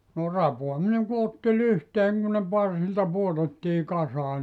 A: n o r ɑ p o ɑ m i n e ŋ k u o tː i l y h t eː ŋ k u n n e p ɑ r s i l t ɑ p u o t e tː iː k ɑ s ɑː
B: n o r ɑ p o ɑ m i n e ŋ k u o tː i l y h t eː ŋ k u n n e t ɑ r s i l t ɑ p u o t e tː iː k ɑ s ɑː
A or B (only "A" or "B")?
A